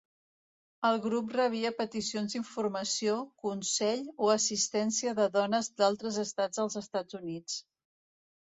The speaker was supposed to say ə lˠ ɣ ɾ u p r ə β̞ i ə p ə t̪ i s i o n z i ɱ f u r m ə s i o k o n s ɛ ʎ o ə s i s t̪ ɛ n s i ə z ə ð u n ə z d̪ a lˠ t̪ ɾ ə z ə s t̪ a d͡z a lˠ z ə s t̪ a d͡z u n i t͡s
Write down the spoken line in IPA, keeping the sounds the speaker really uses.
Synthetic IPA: ə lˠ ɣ ɾ u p r ə β̞ i ə p ə t̪ i s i o n z i ɱ f u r m ə s i o k u n s ɛ ʎ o ə s i s t̪ ɛ n s i ə ð ə ð ɔ n ə z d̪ a lˠ t̪ ɾ ə z ə s t̪ a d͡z ə lˠ z ə s t̪ a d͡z u n i t͡s